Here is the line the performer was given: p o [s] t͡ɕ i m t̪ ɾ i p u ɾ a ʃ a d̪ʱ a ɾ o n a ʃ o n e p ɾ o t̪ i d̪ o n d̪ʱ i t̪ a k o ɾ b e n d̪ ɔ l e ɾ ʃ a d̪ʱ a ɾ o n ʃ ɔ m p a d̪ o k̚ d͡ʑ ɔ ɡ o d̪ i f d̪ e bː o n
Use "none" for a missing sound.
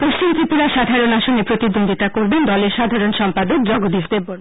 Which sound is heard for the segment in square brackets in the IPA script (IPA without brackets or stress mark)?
ʃ